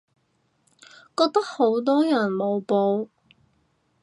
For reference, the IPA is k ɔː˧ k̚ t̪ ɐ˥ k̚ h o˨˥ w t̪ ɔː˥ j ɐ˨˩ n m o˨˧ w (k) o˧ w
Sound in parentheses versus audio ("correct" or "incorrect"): incorrect